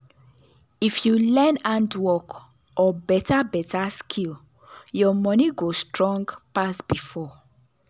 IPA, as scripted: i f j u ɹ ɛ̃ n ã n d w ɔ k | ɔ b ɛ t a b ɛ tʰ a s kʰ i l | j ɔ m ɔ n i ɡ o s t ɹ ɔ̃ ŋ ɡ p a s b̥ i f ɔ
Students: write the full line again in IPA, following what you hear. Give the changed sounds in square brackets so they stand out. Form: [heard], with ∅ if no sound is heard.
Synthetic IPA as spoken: i f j u [l] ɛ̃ n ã n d w ɔ k | ɔ b ɛ t a b ɛ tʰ a s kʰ i l | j ɔ m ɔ n i ɡ o s t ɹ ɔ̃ ŋ ɡ p a s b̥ i f ɔ